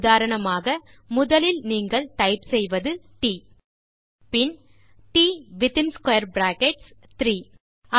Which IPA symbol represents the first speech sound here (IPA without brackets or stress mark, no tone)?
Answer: ð